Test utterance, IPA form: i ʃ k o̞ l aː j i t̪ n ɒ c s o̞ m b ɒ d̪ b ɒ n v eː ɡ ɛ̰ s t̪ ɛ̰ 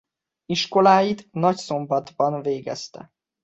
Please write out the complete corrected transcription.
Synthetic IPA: i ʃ k o̞ l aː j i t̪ n ɒ c s o̞ m b ɒ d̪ b ɒ n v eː ɡ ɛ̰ s t̪ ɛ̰